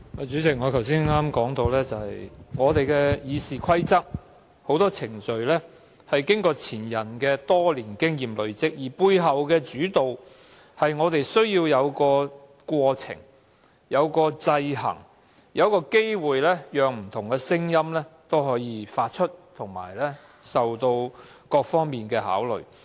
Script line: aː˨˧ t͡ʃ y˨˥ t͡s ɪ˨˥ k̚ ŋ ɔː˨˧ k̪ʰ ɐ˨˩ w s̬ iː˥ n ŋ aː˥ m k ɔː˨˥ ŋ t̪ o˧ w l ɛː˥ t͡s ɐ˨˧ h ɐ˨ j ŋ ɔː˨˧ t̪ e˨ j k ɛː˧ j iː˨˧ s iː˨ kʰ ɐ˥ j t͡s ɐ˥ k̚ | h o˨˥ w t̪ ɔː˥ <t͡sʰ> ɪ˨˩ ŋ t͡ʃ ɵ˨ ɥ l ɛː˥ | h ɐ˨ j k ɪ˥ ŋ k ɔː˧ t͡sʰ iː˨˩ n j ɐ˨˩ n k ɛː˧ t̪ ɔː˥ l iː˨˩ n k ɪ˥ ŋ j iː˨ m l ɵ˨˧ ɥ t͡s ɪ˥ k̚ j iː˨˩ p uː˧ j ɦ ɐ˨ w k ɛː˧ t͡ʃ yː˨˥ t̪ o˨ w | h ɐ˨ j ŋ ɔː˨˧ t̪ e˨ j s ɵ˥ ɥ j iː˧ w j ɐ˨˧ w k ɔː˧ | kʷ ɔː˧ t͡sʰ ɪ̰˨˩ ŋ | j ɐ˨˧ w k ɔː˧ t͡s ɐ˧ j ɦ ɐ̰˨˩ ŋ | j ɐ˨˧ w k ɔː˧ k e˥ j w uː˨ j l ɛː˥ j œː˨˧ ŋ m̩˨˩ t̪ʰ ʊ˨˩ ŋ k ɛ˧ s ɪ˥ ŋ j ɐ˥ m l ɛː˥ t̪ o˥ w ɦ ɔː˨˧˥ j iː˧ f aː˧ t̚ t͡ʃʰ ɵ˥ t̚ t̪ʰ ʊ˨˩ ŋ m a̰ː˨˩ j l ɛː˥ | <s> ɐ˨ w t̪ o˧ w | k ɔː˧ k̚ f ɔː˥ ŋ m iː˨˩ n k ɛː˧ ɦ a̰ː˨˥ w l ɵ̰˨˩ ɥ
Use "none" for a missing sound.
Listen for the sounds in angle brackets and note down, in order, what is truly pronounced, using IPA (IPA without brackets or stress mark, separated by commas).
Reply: t͡sʰ, s